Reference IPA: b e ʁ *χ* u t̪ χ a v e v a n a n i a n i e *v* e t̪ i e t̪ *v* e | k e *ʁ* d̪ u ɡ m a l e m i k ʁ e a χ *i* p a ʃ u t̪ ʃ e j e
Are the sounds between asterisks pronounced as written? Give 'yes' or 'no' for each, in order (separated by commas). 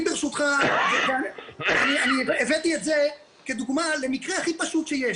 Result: no, yes, no, no, yes